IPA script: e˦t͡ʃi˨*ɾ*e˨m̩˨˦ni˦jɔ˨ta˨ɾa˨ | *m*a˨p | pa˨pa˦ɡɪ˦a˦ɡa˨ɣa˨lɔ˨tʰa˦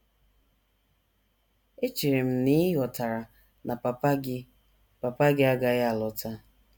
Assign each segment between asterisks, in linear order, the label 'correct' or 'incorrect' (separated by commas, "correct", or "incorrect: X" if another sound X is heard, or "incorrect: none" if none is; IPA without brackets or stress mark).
correct, incorrect: n